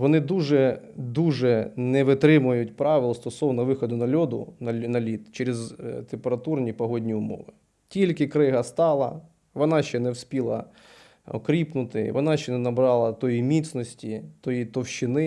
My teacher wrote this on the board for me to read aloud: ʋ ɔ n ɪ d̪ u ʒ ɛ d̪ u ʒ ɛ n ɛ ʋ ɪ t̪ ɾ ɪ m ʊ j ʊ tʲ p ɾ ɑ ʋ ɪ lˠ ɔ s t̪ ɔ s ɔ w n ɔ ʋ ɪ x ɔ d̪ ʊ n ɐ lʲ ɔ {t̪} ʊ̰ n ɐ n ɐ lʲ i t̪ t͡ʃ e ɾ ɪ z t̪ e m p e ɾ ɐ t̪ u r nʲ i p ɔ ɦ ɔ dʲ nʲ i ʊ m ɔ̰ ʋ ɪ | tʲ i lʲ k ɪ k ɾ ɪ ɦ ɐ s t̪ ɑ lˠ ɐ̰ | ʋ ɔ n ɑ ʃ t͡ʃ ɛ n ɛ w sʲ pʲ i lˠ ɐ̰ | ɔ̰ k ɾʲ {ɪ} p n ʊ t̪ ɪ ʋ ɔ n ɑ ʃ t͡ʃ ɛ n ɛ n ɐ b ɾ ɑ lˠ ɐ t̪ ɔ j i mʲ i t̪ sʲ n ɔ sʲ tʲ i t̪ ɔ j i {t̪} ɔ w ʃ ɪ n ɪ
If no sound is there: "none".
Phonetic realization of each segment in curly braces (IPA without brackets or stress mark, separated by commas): d̪, i, t̪